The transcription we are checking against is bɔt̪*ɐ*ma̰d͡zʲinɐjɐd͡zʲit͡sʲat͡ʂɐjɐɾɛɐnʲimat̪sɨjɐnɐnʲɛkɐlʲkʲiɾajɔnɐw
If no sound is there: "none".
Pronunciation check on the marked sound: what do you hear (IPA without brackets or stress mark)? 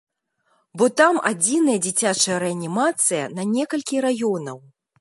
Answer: a